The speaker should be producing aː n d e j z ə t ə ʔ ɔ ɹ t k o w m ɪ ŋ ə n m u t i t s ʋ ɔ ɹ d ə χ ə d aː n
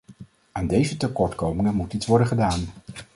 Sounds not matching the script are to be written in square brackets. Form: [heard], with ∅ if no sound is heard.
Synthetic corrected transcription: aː n d e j z ə t ə [k] ɔ ɹ t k o w m ɪ ŋ ə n m u t i t s ʋ ɔ ɹ d ə χ ə d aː n